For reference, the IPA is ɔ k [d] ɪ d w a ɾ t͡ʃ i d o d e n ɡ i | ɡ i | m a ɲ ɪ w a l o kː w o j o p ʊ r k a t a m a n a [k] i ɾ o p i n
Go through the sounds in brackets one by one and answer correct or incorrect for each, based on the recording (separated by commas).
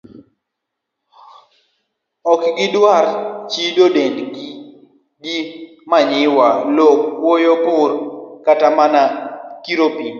incorrect, correct